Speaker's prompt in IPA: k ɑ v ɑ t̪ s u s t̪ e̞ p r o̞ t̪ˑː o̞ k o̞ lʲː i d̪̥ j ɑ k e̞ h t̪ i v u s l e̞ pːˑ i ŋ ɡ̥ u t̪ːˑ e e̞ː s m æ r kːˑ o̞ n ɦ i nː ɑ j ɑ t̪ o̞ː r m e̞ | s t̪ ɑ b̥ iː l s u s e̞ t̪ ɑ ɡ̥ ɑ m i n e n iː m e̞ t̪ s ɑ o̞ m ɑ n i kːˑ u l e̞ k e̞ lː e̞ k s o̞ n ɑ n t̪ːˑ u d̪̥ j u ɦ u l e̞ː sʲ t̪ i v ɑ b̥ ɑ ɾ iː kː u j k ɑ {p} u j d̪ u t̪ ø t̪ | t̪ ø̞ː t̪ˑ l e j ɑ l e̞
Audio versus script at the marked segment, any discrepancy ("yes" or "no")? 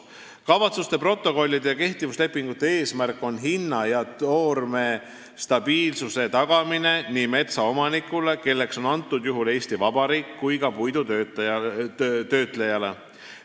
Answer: no